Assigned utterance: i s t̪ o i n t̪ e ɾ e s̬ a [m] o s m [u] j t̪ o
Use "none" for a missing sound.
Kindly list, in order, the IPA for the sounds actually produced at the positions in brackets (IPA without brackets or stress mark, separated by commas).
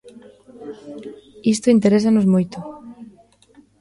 n, o